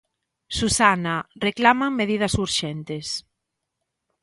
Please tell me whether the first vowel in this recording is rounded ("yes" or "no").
yes